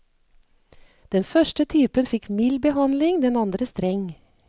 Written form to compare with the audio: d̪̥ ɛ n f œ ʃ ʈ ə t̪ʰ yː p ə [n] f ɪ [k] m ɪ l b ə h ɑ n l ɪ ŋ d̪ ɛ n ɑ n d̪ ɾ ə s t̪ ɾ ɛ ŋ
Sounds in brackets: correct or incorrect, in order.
correct, correct

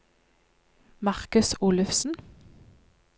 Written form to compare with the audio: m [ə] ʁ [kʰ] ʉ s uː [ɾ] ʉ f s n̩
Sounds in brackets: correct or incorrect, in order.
incorrect: ɑ, incorrect: k, incorrect: l

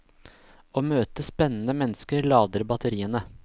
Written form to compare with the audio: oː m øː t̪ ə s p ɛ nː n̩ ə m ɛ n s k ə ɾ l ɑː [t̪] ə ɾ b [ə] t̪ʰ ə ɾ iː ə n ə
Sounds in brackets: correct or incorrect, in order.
incorrect: d̪, incorrect: ɑ

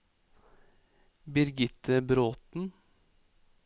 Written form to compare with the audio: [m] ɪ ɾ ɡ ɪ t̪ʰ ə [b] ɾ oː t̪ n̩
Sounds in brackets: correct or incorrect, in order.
incorrect: b, correct

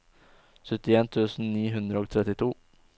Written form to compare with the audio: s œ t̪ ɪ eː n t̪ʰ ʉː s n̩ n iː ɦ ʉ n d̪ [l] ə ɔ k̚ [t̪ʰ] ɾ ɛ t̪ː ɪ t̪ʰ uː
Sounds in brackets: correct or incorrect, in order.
incorrect: ɾ, correct

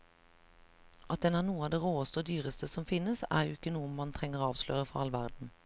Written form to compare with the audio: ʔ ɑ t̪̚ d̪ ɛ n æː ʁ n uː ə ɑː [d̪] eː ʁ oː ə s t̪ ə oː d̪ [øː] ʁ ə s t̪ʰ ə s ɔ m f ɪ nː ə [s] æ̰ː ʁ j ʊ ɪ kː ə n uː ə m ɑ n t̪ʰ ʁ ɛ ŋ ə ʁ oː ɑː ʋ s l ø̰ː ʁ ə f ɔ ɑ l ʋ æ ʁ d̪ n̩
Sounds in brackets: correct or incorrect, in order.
correct, incorrect: yː, correct

